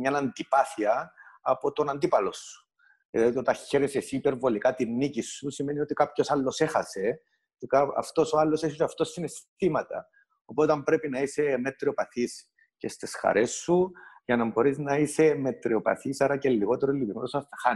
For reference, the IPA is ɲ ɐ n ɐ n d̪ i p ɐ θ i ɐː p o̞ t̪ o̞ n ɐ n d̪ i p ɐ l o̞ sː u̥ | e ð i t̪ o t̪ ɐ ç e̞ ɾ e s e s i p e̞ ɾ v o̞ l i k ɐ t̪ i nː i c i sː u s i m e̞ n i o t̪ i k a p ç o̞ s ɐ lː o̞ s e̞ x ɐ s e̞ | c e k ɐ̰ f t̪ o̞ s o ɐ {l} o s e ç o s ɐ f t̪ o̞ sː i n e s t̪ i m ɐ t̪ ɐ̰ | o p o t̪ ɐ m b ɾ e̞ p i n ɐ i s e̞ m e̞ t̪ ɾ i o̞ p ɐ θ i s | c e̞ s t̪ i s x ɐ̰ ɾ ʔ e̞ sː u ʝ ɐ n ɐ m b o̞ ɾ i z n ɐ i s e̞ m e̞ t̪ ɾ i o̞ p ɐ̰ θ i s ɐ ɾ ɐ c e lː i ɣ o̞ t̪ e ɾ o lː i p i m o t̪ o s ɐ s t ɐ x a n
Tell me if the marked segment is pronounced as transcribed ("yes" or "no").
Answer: no